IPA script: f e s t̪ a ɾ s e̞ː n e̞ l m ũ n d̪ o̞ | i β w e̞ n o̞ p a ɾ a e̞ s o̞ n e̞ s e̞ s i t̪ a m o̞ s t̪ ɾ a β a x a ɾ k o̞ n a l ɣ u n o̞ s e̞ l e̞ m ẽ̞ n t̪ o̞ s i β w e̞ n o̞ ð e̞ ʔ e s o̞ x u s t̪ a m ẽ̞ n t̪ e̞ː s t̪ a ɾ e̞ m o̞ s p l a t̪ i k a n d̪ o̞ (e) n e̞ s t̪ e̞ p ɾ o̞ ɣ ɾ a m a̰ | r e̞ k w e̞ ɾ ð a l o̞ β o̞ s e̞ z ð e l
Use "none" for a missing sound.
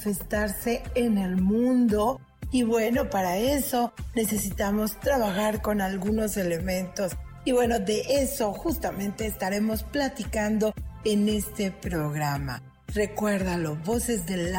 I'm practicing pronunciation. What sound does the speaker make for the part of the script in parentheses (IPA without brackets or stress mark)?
e